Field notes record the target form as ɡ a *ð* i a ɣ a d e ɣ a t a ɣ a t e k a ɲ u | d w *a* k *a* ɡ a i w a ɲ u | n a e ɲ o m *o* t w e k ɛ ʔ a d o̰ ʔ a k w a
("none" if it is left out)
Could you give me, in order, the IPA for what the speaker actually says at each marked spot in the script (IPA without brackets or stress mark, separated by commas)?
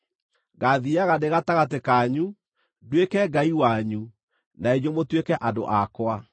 ð, e, ɛ, o